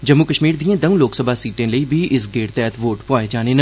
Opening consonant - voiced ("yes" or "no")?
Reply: yes